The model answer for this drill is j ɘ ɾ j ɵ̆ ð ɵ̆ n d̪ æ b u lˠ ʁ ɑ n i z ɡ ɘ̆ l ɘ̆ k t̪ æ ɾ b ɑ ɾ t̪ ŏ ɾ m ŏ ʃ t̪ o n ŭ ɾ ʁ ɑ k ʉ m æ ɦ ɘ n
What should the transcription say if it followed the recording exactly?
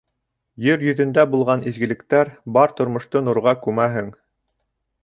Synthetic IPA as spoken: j ɘ ɾ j ɵ̆ ð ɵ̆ n d̪ æ b u lˠ ʁ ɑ n i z ɡ ɘ̆ l ɘ̆ k t̪ æ ɾ b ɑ ɾ t̪ ŏ ɾ m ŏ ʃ t̪ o n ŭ ɾ ʁ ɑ k ʉ m æ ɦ ɘ ŋ